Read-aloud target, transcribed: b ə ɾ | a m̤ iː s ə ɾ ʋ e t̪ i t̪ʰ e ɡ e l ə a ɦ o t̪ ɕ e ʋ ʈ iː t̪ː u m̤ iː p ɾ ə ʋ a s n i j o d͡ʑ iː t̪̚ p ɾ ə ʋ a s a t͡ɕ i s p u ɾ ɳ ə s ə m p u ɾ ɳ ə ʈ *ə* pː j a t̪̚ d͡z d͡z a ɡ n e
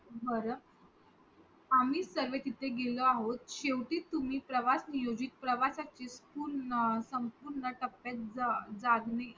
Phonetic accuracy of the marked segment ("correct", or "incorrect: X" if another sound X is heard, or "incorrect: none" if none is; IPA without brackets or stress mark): correct